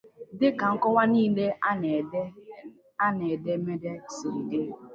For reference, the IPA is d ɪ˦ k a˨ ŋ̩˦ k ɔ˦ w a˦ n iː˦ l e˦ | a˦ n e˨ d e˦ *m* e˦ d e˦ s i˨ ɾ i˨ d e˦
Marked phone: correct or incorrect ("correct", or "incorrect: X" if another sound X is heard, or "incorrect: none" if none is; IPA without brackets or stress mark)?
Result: correct